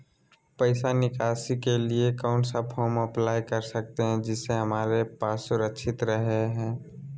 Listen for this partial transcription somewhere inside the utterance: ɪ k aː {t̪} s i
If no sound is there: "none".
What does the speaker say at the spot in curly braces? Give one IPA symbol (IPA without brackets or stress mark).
none